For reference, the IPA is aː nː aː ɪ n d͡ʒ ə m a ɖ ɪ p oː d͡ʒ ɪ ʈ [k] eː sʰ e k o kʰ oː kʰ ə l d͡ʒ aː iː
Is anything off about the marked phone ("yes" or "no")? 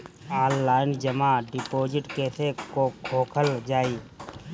no